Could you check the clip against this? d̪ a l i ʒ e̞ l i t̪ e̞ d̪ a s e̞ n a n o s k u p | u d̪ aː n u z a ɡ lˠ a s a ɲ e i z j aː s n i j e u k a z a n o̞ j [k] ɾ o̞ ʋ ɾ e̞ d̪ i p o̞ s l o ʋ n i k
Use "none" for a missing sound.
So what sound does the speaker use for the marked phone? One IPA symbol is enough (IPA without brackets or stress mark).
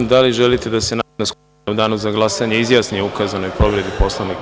p